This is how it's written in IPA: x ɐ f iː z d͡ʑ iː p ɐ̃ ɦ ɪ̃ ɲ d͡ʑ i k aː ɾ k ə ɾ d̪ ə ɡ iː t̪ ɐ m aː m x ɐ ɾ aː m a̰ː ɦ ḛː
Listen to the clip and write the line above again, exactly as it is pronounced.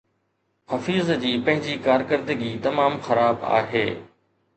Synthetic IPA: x ɐ f iː z d͡ʑ iː p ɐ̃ ɦ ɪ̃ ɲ d͡ʑ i k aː ɾ k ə ɾ d̪ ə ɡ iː t̪ ɐ m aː m x ɐ ɾ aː b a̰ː ɦ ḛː